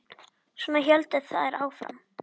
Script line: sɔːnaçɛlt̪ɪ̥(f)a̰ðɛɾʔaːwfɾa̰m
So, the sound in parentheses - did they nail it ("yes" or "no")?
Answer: no